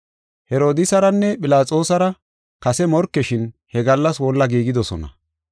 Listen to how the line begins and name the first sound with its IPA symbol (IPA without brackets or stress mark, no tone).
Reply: h